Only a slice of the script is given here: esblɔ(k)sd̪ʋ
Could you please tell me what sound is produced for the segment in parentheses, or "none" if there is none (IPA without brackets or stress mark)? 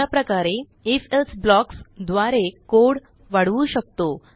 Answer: k